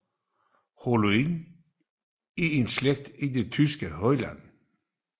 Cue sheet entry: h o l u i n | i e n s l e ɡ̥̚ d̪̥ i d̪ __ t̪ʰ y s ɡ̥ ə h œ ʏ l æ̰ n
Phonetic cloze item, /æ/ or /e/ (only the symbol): e